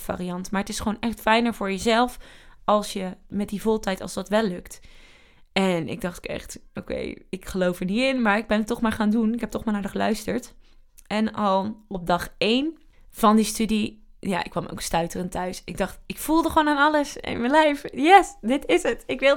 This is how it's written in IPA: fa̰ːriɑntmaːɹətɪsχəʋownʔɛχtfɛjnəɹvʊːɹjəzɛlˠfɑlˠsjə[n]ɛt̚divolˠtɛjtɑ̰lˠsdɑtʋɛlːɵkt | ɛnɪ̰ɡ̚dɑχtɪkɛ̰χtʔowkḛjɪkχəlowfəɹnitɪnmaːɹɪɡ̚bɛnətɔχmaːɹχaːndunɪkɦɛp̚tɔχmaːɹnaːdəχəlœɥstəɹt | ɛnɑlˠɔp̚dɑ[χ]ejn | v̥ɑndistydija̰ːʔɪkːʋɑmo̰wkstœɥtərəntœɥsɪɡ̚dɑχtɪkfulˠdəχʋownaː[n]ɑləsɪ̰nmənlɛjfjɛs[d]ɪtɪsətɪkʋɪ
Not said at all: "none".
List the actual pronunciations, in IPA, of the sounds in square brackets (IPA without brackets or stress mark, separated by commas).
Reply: m, χ, n, d